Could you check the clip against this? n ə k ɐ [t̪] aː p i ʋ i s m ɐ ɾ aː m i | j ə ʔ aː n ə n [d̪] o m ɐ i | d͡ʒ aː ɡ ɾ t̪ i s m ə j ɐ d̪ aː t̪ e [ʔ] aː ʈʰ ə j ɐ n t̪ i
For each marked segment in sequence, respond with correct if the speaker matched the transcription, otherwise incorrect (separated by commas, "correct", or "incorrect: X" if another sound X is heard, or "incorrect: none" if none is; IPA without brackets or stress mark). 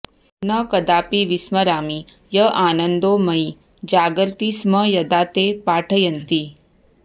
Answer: incorrect: d̪, correct, incorrect: p